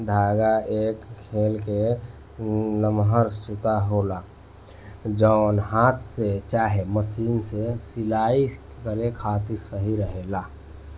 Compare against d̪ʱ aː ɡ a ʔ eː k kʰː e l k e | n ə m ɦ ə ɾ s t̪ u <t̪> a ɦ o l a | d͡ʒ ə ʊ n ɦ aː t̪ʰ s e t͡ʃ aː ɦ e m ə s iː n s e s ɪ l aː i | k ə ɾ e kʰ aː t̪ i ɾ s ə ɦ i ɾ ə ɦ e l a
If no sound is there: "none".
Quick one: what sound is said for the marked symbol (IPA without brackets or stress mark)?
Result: t̪